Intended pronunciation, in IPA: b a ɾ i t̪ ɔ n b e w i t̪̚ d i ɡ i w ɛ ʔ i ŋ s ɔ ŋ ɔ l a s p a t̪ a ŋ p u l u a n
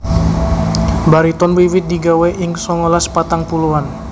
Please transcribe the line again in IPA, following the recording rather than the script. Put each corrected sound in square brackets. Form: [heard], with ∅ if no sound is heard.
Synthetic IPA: b a ɾ i t̪ ɔ n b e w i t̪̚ d i ɡ [a] w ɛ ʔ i ŋ s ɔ ŋ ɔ l a s p a t̪ a ŋ p u l u a n